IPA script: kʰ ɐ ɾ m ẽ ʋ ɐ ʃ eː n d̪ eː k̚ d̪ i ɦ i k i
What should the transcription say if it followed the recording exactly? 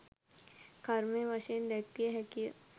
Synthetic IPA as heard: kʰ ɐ ɾ m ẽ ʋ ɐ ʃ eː n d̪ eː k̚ t̪ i ɦ ɛ k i